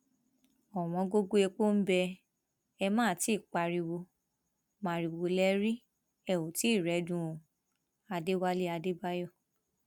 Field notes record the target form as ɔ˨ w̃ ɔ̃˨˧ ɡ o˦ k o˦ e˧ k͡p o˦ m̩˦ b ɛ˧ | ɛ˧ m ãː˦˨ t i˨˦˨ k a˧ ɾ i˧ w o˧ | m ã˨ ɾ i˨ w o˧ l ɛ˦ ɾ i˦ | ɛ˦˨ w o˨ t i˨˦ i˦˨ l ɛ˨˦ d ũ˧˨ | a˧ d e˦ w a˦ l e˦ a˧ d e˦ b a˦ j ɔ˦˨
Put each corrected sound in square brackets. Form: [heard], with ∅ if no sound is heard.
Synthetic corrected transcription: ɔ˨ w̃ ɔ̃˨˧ ɡ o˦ [ɡ] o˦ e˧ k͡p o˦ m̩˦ b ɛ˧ | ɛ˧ m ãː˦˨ t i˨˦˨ [k͡p] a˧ ɾ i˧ w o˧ | m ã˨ ɾ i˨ w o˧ l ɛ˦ ɾ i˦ | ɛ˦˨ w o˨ t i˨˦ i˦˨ [ɾ] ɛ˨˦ d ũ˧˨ | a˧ d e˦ w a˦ l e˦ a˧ d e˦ b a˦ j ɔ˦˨